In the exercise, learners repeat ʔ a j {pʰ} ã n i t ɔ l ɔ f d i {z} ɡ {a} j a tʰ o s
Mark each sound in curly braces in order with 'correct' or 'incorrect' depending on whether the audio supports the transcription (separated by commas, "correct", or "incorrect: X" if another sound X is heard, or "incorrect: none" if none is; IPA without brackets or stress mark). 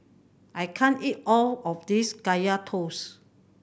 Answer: incorrect: kʰ, incorrect: s, correct